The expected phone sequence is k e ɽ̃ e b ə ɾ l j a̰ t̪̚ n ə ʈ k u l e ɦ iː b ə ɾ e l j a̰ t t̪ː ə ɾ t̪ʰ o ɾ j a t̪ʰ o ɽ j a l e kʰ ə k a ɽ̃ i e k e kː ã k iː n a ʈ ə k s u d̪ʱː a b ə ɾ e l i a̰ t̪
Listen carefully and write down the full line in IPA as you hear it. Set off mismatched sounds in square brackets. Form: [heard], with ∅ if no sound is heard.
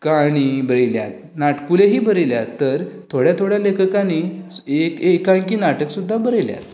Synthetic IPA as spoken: k [a] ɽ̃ [i] b ə ɾ l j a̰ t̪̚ n [a] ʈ k u l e ɦ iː b ə ɾ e l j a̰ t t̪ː ə ɾ t̪ʰ o [ɽ] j a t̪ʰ o ɽ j a l e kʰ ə k a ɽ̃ i e k e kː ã k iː n a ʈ ə k s u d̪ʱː a b ə ɾ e l [j] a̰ t̪